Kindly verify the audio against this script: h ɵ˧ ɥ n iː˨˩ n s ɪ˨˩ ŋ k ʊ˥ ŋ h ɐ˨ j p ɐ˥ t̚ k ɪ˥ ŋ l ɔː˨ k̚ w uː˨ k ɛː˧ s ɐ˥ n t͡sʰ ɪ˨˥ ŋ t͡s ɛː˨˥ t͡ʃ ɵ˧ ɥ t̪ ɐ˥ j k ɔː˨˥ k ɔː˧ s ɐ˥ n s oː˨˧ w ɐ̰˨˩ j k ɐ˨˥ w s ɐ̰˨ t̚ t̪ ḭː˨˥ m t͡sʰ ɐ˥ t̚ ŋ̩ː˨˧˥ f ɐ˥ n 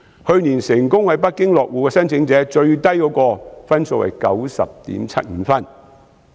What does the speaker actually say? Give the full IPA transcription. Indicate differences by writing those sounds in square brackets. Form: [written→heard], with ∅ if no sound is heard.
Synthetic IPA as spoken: h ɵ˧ ɥ n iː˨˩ n s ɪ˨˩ ŋ k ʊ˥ ŋ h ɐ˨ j p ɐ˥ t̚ k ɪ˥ ŋ l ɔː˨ k̚ w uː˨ k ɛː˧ s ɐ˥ n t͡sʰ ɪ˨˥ ŋ t͡s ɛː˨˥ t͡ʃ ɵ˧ ɥ t̪ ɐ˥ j k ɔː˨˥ k ɔː˧ [s→f] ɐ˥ n s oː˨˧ w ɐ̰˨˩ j k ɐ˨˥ w s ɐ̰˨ [t̚→p̚] t̪ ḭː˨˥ m t͡sʰ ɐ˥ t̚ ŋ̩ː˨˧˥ f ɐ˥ n